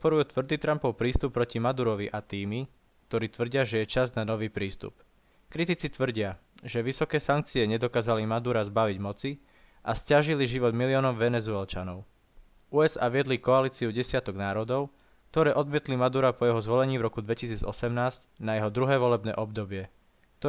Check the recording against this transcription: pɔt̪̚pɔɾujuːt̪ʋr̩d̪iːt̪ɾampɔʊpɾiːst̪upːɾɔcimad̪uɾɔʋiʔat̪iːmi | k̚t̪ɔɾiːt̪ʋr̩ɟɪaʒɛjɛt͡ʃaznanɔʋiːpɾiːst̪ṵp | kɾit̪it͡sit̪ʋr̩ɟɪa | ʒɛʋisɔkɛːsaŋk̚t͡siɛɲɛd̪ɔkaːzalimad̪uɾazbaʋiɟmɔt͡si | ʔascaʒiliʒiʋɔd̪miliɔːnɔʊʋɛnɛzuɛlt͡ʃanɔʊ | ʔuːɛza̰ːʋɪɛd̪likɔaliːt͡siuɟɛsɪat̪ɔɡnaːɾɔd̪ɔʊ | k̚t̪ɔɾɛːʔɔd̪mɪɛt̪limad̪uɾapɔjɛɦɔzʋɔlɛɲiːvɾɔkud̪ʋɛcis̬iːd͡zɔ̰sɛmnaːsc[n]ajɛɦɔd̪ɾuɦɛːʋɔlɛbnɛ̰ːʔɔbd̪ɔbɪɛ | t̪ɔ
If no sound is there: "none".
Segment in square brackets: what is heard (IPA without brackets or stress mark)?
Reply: n